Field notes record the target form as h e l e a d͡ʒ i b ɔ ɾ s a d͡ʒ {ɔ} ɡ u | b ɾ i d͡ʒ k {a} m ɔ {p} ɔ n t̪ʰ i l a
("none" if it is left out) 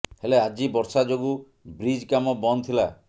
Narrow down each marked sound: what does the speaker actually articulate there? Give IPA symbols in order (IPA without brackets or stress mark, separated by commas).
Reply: o, a, b